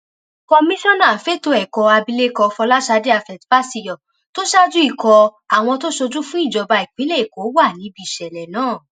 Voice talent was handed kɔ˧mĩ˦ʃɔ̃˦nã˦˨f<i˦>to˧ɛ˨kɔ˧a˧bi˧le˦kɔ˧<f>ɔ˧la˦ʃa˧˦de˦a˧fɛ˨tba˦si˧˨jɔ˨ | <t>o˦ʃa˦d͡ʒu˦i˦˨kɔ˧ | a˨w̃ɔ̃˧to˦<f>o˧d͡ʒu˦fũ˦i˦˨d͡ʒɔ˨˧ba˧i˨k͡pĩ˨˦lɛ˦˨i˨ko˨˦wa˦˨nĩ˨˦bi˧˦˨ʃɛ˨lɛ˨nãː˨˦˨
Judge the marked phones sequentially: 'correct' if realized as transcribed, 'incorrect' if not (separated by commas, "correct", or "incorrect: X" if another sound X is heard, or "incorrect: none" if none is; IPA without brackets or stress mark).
incorrect: e˦, correct, correct, incorrect: ʃ